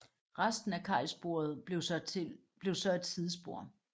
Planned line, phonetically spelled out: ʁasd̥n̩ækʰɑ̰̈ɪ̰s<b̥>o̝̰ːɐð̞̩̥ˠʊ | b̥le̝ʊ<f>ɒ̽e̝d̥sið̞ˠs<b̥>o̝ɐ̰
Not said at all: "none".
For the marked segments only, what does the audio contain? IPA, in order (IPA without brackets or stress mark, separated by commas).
b̥, s, b̥